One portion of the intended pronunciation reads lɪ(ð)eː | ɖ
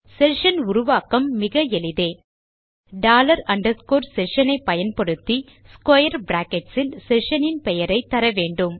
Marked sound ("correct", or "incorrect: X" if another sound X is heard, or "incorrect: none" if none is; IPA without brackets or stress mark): correct